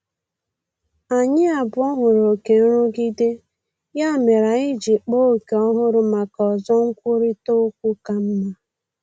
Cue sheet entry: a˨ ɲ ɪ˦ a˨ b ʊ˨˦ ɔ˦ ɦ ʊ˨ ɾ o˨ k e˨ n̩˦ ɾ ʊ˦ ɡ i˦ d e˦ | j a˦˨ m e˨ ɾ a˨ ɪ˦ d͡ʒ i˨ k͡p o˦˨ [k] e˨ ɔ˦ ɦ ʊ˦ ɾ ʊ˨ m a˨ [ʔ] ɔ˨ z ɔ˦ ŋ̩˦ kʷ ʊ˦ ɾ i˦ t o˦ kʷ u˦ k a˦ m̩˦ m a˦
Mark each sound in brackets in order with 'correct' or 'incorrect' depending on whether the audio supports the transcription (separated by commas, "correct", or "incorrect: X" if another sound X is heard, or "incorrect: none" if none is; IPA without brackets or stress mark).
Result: correct, incorrect: k